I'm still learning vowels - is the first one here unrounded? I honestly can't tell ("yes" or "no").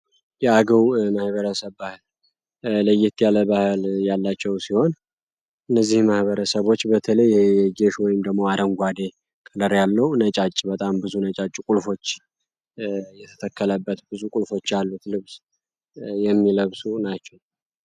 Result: yes